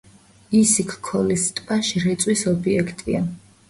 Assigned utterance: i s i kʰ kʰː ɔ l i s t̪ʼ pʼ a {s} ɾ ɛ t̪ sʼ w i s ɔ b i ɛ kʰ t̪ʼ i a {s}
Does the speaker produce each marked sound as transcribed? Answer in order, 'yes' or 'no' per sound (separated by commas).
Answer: no, no